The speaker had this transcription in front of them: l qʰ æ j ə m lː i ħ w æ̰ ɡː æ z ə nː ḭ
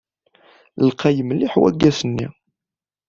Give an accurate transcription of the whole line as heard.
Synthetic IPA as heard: l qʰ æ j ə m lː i ħ w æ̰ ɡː æ s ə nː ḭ